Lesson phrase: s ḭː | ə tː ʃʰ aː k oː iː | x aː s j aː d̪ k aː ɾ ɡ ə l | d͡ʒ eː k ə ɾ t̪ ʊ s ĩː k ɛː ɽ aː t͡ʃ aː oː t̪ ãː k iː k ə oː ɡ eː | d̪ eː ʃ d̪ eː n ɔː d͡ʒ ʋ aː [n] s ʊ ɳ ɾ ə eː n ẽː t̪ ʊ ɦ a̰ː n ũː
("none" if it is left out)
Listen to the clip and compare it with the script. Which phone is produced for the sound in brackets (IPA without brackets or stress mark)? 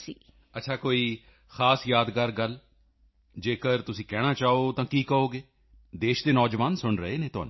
n